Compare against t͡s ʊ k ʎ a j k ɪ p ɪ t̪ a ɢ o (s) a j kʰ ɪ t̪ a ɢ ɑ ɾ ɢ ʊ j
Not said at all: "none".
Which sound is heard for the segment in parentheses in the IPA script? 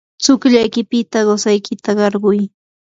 s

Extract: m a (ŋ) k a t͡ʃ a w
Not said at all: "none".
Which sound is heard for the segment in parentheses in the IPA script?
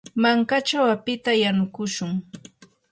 ŋ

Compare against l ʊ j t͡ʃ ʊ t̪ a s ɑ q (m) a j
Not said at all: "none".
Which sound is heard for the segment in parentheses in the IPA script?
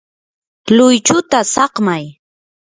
m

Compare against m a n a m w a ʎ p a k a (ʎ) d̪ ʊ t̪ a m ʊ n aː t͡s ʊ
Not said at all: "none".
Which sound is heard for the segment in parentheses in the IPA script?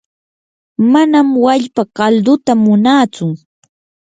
l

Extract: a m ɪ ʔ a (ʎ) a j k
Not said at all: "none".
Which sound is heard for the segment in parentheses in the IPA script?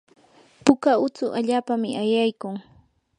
j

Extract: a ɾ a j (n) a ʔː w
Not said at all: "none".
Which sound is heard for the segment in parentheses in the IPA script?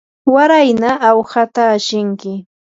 n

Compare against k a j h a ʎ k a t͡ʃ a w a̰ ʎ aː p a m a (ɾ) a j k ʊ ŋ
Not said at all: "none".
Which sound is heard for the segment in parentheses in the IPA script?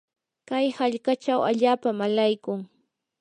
l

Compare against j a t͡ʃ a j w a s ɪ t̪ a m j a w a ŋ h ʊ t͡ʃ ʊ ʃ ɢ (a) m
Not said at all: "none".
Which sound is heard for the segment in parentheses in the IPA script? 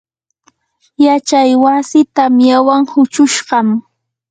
ɑ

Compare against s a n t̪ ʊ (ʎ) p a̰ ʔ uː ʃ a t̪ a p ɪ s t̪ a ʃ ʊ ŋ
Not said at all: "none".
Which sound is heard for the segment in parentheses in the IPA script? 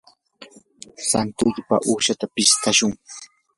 ʎ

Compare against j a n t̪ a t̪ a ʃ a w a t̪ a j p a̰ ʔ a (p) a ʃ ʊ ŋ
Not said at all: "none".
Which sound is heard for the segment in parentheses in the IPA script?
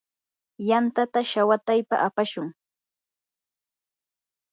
p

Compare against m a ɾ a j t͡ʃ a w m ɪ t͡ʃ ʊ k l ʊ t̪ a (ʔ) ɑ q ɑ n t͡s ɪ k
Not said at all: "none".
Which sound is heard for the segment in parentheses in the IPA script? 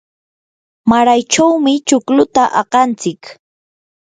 ʔ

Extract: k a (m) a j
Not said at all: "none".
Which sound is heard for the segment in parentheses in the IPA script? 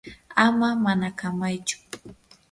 m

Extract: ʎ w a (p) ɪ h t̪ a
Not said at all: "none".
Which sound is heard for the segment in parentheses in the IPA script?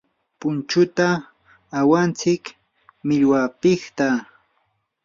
p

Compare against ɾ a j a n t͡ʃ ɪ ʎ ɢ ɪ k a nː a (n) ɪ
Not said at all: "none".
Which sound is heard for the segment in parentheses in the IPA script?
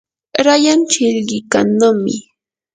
m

